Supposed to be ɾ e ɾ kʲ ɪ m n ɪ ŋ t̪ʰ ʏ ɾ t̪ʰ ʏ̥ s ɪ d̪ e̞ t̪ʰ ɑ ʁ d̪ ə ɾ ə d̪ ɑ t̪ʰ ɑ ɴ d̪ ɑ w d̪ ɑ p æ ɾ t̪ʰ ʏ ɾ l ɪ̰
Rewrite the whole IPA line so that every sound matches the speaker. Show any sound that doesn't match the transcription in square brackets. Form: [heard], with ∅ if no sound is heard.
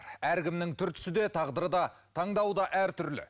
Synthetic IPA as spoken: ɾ [æ] ɾ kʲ ɪ m n ɪ ŋ t̪ʰ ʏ ɾ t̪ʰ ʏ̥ s ɪ d̪ e̞ t̪ʰ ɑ ʁ d̪ ə ɾ ə d̪ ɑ t̪ʰ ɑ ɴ d̪ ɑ w d̪ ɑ [ʔ] æ ɾ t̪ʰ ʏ ɾ l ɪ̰